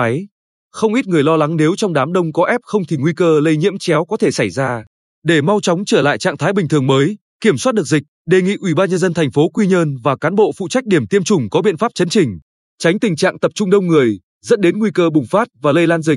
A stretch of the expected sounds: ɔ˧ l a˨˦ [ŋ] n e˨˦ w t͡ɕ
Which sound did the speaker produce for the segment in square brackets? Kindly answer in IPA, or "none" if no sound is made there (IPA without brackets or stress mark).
ŋ